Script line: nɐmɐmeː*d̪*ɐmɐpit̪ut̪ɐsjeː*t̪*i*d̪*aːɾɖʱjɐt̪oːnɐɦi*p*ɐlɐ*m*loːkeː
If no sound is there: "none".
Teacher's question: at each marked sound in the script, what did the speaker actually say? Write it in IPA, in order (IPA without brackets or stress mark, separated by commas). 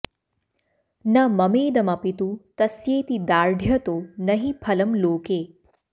d̪, t̪, d̪, pʰ, m